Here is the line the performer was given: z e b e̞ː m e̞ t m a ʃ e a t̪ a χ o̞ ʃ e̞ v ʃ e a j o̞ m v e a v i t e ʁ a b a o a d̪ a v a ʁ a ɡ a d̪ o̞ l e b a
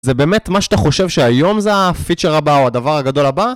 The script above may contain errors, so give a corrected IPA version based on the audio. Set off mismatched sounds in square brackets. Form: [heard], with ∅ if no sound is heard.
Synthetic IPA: z e b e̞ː m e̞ t m a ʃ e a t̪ a χ o̞ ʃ e̞ v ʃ e a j o̞ m [z] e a [f] i [t͡ʃ] e ʁ a b a o a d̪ a v a ʁ a ɡ a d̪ o̞ l [a] b a